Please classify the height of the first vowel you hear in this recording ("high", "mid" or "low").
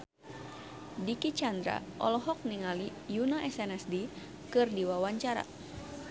high